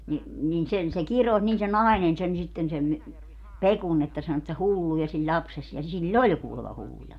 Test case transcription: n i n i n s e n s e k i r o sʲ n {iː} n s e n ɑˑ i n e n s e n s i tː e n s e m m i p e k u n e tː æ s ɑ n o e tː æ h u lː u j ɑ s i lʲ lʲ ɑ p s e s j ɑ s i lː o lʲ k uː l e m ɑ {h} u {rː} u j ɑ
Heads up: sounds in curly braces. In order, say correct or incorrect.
correct, correct, incorrect: lː

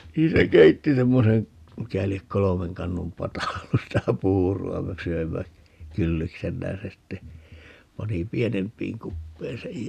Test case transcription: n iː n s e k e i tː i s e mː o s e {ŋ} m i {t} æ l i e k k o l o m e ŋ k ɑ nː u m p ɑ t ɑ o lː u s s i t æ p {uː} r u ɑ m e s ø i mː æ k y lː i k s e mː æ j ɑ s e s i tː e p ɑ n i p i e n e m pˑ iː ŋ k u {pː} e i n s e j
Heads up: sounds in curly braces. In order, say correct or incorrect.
correct, incorrect: k, correct, correct

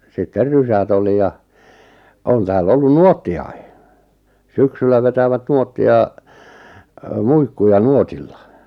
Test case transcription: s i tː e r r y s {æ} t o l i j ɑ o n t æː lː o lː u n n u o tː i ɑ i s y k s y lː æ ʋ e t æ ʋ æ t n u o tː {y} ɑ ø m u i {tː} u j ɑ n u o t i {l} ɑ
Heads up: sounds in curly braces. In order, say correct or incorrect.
correct, incorrect: i, incorrect: kː, incorrect: lː

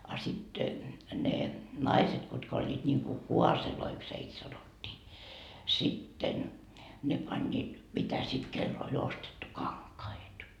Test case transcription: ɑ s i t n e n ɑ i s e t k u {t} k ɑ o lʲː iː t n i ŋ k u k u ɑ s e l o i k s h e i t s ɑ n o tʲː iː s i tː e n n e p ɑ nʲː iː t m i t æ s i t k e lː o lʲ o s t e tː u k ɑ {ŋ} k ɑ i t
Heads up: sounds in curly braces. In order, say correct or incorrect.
correct, correct

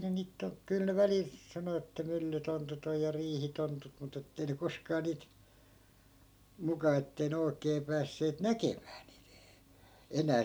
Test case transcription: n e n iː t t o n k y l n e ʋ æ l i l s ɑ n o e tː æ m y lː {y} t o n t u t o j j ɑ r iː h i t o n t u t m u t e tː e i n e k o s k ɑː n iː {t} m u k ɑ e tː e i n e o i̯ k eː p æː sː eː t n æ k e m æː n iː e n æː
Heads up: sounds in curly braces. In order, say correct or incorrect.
correct, correct

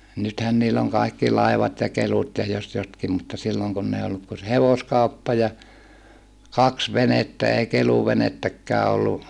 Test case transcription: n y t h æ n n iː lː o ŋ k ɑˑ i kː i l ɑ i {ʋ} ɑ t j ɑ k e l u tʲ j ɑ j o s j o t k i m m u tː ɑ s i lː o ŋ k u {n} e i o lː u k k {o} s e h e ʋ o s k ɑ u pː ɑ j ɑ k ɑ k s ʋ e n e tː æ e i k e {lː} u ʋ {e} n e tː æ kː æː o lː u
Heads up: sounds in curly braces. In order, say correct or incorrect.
correct, incorrect: nː, incorrect: u, incorrect: l, correct

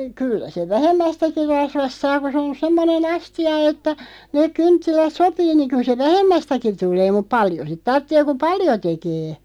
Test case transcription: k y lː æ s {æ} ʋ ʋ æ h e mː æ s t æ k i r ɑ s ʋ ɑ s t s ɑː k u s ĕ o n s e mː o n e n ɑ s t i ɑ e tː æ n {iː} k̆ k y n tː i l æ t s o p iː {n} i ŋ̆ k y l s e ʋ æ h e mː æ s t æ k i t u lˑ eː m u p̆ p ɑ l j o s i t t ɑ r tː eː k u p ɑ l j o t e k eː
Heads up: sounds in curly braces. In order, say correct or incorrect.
incorrect: e, incorrect: eː, correct

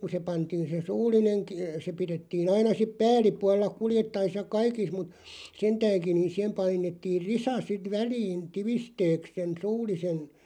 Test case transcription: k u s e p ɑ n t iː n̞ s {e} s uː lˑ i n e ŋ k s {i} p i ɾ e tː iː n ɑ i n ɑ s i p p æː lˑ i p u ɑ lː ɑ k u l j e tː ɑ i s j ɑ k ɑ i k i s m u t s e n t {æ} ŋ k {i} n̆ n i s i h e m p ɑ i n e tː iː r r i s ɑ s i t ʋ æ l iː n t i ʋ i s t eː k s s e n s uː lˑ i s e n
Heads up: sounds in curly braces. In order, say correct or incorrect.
correct, incorrect: e, incorrect: æː, correct

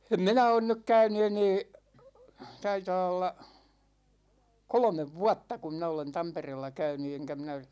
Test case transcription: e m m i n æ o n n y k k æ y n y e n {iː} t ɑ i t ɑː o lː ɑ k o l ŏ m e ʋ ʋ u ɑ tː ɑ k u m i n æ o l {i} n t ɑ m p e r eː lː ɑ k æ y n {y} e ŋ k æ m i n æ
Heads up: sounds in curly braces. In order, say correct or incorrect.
incorrect: eː, incorrect: e, correct

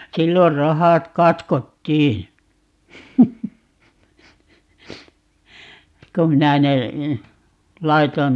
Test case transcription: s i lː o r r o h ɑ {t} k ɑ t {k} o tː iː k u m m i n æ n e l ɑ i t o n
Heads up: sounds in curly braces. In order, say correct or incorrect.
correct, correct

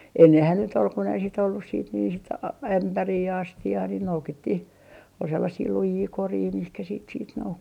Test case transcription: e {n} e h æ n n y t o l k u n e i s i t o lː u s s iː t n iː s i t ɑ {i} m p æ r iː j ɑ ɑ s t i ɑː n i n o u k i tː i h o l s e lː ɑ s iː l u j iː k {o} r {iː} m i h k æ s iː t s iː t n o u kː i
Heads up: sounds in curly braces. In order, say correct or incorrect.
incorrect: nː, incorrect: æ, correct, correct

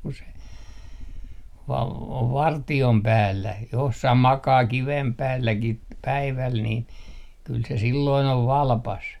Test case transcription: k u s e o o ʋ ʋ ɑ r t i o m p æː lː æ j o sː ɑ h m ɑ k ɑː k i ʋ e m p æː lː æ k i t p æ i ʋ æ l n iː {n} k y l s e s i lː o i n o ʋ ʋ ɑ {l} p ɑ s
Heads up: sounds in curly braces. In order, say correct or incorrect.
correct, correct

